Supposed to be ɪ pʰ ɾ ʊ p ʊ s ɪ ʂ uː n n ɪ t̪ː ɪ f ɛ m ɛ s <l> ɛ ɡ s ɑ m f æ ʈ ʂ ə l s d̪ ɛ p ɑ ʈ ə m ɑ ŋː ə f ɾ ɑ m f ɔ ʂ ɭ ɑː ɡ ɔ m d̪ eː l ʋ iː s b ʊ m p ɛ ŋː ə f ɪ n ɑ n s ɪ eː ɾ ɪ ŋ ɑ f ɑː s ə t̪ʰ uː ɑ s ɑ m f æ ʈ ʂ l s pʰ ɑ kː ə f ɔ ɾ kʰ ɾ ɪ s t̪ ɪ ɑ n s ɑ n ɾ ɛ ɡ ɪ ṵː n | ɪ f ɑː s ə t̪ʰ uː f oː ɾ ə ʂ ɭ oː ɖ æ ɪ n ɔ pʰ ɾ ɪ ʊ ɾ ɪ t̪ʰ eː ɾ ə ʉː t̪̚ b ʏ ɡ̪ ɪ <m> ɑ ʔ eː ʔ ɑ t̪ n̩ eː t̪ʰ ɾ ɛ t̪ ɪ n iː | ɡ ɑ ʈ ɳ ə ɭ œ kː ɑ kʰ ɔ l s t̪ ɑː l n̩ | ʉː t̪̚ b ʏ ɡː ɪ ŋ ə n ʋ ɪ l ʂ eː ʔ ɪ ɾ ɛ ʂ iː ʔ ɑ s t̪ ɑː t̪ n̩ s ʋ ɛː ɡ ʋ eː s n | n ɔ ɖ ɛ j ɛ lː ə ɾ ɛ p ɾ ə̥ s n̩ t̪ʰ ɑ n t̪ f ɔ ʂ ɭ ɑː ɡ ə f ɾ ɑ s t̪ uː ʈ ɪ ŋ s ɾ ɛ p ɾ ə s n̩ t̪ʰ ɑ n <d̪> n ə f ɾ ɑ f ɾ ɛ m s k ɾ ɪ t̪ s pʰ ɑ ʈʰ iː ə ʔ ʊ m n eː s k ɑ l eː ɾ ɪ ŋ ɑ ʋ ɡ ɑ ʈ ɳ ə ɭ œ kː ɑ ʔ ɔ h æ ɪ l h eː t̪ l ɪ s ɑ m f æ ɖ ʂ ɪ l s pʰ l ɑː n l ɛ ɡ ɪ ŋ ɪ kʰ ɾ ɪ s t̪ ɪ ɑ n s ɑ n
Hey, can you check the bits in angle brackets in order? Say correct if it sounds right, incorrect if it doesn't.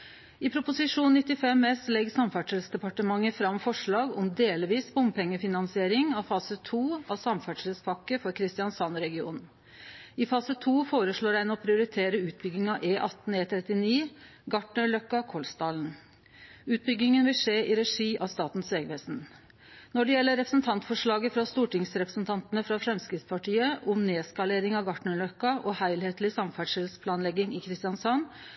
correct, incorrect: ŋ, incorrect: t̪

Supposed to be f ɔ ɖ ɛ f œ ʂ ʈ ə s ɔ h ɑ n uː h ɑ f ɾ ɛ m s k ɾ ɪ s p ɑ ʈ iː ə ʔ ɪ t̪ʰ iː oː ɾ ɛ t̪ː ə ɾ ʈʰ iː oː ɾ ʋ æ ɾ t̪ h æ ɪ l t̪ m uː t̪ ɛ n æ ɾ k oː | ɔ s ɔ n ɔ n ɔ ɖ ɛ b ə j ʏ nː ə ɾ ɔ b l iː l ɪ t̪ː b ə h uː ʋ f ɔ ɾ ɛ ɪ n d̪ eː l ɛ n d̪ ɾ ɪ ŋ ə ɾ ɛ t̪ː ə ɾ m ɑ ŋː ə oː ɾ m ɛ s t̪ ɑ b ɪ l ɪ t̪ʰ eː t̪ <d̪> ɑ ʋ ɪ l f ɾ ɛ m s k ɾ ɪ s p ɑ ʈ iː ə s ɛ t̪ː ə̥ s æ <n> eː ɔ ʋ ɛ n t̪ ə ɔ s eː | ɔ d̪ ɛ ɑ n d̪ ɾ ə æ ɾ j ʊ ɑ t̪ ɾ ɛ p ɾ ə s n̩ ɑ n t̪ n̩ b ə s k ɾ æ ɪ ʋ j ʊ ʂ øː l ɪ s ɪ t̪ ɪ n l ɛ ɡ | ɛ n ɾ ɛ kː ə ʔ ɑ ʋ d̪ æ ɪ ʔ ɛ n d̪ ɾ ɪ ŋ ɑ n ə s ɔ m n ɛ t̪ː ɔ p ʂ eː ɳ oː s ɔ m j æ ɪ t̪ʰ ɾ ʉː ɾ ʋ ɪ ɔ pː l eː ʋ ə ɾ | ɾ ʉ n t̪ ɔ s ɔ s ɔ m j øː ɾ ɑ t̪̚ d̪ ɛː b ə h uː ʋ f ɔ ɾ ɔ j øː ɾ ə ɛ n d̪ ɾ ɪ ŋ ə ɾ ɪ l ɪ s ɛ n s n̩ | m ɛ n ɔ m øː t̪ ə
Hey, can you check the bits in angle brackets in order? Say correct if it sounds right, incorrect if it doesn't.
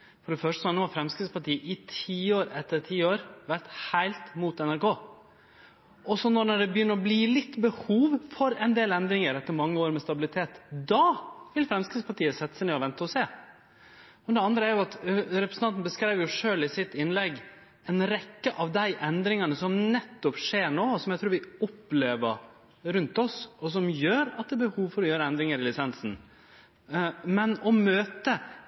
correct, correct

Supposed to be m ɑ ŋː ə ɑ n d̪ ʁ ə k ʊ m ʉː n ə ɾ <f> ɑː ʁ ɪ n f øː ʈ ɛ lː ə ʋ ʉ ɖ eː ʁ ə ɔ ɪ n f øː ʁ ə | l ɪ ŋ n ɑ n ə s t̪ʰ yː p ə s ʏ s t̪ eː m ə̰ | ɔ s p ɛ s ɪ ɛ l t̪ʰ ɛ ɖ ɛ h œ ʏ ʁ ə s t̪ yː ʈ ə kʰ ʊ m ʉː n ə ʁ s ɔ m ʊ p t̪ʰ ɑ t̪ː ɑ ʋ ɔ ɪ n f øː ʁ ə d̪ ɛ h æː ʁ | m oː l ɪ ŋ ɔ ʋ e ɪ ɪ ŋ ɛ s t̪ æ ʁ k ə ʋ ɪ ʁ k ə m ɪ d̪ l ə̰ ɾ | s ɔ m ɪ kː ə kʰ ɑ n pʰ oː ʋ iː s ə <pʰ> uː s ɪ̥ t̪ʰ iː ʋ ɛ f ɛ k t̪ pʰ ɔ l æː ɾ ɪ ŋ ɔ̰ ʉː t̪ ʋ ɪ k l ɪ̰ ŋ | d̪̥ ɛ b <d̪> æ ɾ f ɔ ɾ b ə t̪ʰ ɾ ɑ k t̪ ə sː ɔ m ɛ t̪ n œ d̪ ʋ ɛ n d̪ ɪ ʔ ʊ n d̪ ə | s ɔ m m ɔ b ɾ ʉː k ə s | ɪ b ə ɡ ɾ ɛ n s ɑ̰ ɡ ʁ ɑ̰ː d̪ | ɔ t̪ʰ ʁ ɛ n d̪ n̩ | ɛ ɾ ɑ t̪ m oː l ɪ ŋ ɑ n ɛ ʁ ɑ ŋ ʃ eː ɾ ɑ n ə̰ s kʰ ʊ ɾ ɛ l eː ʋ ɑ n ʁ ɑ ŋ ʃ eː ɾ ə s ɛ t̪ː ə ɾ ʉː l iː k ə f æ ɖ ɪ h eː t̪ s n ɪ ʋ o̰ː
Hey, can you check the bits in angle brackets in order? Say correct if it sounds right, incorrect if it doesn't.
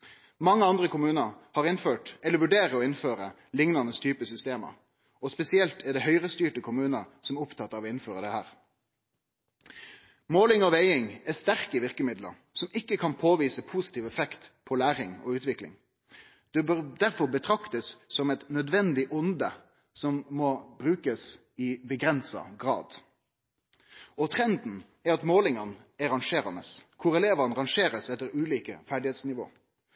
incorrect: h, correct, correct

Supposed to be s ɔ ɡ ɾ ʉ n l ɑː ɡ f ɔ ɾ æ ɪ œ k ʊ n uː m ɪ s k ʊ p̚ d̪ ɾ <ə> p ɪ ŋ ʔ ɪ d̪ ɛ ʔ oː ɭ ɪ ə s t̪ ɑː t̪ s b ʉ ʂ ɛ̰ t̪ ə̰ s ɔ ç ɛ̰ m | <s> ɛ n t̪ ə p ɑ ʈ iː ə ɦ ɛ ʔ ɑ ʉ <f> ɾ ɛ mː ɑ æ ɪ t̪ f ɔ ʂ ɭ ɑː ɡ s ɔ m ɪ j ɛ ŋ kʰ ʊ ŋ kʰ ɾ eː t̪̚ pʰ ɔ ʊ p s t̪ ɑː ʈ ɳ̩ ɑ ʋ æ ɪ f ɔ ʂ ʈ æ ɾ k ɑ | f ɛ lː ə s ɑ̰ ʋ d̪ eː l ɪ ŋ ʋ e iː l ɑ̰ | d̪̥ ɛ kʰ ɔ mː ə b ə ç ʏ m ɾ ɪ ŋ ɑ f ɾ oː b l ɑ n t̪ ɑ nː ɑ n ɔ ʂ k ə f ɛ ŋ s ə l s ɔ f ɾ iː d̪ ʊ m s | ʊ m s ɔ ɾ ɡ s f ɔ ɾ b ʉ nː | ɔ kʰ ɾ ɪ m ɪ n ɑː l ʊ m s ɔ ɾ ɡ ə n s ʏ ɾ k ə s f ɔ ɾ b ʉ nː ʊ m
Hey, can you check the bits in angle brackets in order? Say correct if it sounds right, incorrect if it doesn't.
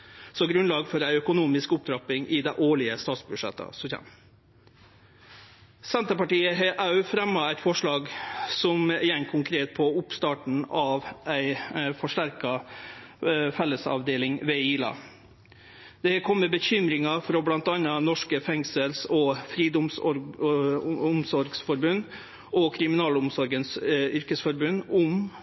incorrect: ɑ, correct, correct

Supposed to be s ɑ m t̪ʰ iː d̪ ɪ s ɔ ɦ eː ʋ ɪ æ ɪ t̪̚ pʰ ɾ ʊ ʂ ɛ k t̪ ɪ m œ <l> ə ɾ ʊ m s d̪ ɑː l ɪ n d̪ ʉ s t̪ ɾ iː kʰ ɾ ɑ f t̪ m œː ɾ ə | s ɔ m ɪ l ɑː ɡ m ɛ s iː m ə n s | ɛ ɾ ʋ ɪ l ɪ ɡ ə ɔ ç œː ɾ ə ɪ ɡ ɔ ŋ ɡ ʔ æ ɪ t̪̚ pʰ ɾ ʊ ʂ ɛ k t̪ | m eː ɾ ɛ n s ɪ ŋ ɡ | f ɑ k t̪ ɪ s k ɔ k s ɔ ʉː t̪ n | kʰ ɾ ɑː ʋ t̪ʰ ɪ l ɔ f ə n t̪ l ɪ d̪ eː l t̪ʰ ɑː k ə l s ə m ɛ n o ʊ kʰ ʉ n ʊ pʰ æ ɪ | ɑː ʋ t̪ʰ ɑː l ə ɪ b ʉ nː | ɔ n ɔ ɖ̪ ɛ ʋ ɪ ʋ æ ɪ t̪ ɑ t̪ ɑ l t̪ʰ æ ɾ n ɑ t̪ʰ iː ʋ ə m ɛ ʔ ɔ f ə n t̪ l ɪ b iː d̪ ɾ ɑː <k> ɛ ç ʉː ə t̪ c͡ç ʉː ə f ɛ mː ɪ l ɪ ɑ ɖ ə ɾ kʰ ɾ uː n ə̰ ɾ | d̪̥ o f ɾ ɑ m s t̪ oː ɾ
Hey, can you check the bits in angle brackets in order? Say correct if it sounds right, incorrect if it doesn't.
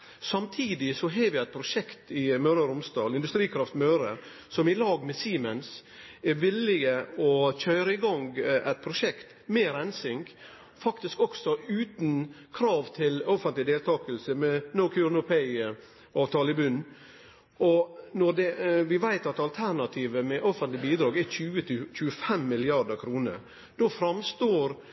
incorrect: ɾ, incorrect: ɡ

